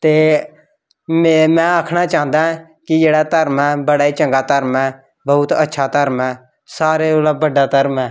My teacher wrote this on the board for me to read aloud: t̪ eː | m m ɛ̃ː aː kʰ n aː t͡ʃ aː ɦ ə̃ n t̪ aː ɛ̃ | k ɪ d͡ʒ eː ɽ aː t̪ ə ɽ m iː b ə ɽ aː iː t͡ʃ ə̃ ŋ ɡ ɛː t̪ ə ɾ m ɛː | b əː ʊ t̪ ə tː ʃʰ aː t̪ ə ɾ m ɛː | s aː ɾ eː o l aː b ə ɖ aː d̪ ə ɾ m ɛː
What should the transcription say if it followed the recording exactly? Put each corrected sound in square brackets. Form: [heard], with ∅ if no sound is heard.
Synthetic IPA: t̪ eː | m m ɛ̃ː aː kʰ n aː t͡ʃ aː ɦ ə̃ n [d̪] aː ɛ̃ | k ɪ d͡ʒ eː ɽ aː t̪ ə [ɾ] m [ɛː] b ə ɽ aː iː t͡ʃ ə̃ ŋ ɡ [aː] t̪ ə ɾ m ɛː | b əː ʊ t̪ ə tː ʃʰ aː t̪ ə ɾ m ɛː | s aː ɾ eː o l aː b ə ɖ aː [t̪] ə ɾ m ɛː